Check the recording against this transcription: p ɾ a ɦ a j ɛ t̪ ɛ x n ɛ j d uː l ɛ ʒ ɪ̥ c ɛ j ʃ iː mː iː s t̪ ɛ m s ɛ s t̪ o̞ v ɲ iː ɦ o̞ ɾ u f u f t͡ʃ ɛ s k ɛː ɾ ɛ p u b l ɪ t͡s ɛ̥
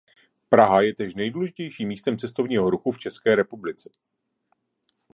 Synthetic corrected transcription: p ɾ a ɦ a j ɛ t̪ ɛ ʃ n ɛ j d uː l ɛ ʒ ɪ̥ c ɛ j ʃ iː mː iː s t̪ ɛ m t͡s ɛ s t̪ o̞ v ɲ iː ɦ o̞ ɾ u x u f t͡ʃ ɛ s k ɛː ɾ ɛ p u b l ɪ t͡s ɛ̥